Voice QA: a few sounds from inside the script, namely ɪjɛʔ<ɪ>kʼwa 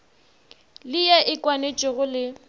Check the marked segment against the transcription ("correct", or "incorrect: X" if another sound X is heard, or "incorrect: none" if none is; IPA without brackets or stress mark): correct